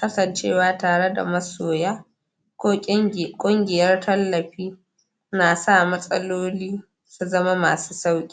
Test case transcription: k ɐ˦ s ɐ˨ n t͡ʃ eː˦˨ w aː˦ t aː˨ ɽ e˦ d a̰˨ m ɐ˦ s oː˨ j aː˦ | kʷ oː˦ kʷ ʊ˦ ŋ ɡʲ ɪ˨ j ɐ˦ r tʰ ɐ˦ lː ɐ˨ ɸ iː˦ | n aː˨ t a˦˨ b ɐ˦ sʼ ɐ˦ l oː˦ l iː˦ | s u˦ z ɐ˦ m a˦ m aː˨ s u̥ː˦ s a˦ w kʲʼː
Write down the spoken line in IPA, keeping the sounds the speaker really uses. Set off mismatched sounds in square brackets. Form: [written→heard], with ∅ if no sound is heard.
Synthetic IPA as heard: k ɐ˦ s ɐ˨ n t͡ʃ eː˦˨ w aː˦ t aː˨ ɽ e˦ d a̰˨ m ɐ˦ s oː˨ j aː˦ | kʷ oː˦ [kʷ→kʷʼ] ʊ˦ ŋ ɡʲ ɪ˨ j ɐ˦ r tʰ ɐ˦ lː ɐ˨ ɸ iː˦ | n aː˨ [t→s] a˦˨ [b→m] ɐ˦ sʼ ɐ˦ l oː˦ l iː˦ | s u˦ z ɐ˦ m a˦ m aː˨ s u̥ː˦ s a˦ w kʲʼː